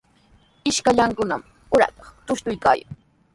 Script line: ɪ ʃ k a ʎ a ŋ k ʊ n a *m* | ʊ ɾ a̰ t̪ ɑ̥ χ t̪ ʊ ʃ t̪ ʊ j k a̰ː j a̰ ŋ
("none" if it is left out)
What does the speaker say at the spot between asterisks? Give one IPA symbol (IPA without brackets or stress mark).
m